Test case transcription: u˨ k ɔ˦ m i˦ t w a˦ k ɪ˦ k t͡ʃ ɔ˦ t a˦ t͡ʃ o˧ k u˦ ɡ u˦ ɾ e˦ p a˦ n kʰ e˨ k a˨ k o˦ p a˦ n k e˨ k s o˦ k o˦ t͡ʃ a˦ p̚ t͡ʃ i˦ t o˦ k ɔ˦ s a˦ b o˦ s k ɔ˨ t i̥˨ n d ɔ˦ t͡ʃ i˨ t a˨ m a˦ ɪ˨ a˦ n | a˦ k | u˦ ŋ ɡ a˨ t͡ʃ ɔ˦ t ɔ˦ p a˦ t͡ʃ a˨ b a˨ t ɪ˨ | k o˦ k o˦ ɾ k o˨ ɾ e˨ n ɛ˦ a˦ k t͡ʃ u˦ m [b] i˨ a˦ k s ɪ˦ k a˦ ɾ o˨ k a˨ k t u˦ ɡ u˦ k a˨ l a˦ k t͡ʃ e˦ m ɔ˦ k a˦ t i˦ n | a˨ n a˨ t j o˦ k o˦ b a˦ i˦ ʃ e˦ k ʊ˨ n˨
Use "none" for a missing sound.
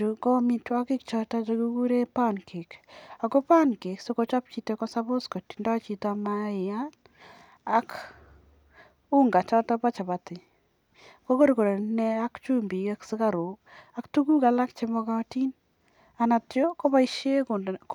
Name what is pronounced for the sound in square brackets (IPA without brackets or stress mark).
b